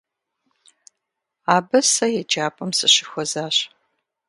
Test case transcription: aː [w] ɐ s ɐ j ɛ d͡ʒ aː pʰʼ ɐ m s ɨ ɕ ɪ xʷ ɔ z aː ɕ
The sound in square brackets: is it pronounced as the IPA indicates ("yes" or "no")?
no